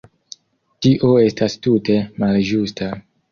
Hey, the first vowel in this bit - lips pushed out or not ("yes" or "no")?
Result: no